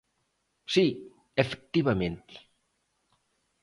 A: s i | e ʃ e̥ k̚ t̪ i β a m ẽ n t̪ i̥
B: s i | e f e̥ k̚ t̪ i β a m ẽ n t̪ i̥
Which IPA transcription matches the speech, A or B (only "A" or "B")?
B